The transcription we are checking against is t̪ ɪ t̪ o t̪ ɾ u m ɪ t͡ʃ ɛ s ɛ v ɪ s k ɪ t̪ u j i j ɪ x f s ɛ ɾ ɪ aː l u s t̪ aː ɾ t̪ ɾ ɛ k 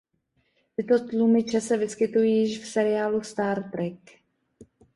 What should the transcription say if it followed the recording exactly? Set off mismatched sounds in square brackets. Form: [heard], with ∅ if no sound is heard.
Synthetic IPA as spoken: t̪ ɪ t̪ o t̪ [l] u m ɪ t͡ʃ ɛ s ɛ v ɪ s k ɪ t̪ u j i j ɪ [ʃ] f s ɛ ɾ ɪ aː l u s t̪ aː ɾ t̪ ɾ ɛ k